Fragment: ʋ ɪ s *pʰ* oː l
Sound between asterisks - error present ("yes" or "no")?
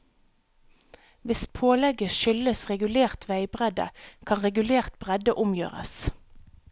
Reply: no